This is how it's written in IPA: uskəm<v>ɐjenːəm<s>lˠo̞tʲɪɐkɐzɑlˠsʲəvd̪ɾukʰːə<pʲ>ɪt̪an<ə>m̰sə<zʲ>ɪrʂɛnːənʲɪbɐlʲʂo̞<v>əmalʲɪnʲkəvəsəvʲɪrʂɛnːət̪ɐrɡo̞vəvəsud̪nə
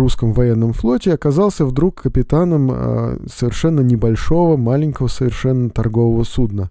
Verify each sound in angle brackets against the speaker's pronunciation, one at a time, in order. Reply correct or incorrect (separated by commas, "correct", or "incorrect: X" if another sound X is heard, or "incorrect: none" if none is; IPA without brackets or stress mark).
correct, incorrect: f, correct, correct, incorrect: vʲ, correct